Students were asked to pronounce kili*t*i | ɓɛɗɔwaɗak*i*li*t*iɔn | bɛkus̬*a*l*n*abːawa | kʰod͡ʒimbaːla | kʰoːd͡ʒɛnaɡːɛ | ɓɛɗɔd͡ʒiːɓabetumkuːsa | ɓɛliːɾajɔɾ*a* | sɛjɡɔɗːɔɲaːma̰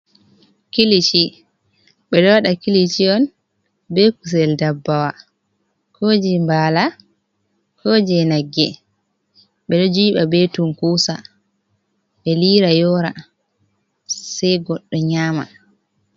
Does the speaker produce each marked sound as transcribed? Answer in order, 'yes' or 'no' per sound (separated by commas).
no, yes, no, no, no, yes